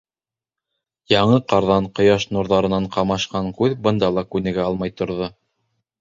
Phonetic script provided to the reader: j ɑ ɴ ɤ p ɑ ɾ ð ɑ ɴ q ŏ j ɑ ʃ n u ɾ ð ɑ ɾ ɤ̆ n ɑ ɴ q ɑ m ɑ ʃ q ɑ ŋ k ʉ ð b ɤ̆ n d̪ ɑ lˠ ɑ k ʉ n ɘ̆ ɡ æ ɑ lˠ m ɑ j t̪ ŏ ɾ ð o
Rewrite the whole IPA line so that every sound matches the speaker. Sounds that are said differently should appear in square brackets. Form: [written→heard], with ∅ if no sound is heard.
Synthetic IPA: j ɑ ɴ ɤ [p→q] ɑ ɾ ð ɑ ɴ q ŏ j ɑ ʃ n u ɾ ð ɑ ɾ ɤ̆ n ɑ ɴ q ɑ m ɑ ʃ q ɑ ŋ k ʉ ð b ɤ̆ n d̪ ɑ lˠ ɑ k ʉ n ɘ̆ ɡ æ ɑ lˠ m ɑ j t̪ ŏ ɾ ð o